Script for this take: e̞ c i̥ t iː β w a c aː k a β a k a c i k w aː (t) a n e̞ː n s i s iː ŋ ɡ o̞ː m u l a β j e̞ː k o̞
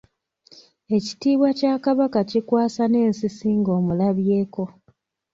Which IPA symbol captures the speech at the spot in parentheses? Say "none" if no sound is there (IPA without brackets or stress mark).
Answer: s